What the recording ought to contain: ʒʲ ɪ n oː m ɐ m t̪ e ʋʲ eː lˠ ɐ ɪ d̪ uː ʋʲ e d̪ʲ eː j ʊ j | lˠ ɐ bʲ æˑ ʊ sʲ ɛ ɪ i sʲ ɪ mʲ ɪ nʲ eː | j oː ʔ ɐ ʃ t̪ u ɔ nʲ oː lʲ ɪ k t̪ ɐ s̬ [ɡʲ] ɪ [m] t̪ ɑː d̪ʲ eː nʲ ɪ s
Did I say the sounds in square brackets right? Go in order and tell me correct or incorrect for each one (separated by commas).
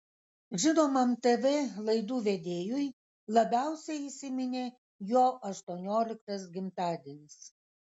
correct, correct